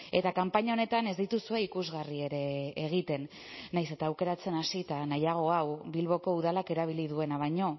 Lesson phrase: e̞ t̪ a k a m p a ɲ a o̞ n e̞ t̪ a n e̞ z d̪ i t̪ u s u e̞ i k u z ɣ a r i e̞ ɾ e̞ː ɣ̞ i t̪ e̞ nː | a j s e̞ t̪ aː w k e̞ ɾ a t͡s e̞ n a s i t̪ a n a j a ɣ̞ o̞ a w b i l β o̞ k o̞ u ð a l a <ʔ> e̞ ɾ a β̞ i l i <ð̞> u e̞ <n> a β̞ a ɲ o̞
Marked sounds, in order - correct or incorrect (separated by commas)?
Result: incorrect, correct, correct